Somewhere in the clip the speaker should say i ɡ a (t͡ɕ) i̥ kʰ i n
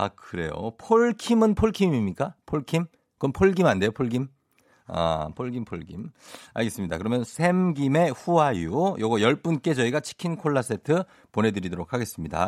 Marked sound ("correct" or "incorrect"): incorrect